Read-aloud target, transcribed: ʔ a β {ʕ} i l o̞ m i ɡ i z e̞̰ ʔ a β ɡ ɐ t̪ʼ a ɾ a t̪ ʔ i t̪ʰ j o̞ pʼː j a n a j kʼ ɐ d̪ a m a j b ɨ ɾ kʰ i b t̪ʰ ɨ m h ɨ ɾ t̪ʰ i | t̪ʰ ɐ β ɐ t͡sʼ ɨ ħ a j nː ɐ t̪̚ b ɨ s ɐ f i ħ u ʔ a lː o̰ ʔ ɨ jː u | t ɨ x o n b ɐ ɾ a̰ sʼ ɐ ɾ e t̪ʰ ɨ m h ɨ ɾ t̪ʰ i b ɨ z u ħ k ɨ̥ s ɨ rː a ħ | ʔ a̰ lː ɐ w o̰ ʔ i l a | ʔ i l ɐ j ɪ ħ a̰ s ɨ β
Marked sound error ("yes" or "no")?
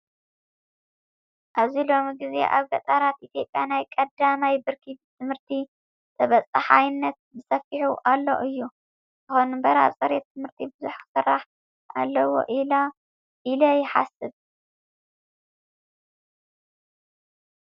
yes